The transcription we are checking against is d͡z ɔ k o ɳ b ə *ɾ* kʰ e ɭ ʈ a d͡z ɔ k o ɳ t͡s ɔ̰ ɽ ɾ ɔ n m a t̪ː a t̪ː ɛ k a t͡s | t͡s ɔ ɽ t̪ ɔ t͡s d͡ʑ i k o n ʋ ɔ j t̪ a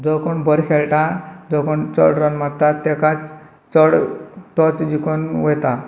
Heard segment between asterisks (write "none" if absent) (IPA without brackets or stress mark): ɾ